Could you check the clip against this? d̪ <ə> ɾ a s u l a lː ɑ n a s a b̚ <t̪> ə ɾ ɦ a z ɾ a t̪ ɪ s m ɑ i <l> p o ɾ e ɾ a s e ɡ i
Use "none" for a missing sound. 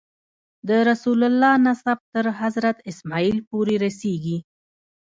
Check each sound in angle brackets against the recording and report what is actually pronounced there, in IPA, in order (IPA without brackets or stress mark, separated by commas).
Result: ə, t̪, l